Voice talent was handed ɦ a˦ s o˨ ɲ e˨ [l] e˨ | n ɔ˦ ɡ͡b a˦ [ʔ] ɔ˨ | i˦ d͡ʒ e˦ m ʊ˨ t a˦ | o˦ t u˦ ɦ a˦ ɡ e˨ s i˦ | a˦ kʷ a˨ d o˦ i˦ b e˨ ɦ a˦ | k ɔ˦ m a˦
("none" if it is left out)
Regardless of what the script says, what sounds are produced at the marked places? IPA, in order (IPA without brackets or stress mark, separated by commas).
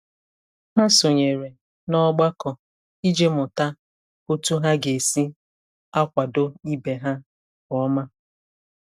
ɾ, k